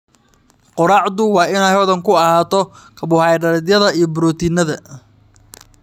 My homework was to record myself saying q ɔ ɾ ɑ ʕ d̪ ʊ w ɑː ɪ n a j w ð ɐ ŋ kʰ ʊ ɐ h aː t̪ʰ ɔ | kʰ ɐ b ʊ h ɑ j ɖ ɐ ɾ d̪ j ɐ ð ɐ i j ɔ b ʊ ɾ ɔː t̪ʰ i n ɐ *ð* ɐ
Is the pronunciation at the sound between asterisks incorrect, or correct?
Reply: correct